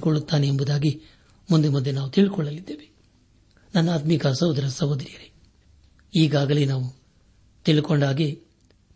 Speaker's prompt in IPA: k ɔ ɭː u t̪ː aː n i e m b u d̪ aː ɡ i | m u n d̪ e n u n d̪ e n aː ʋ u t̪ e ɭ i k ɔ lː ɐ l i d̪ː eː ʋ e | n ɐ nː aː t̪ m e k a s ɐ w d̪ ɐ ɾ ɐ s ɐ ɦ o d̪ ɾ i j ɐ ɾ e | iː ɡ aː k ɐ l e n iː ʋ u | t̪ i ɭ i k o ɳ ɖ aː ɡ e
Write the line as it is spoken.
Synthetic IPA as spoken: k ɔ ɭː u t̪ː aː n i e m b u d̪ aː ɡ i | m u n d̪ e m u n d̪ e n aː ʋ u t̪ i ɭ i k ɔ ɭː ɐ l i d̪ː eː ʋ e | n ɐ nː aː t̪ m i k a s ɐ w d̪ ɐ ɾ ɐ s ɐ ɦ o d̪ ɾ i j ɐ ɾ e | iː ɡ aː ɡ ɐ l e n aː ʋ u | t̪ i ɭ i k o ɳ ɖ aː ɡ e